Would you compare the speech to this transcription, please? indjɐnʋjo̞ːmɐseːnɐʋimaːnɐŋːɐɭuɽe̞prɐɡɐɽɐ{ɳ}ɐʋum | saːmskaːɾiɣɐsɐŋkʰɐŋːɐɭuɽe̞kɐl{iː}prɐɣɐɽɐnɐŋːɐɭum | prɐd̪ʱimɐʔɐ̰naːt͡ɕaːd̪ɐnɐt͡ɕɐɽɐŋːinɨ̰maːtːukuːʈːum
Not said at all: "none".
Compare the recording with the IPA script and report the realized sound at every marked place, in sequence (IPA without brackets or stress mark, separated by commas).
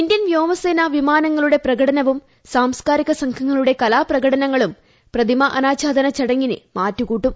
n, aː